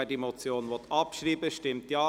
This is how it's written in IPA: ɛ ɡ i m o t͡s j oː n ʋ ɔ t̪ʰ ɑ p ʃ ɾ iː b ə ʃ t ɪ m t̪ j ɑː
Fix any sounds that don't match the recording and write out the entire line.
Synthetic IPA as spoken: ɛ d i m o t͡s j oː n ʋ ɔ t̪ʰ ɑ p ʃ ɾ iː b ə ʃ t ɪ m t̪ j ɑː